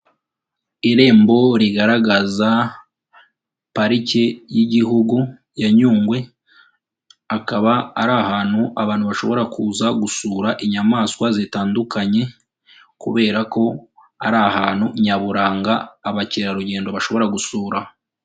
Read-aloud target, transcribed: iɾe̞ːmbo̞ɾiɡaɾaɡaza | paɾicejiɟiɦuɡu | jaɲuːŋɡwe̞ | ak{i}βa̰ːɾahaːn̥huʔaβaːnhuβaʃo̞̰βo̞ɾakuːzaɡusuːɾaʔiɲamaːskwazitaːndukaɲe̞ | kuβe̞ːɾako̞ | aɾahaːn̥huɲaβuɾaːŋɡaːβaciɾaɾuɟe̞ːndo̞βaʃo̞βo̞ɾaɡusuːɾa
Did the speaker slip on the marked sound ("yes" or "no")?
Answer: yes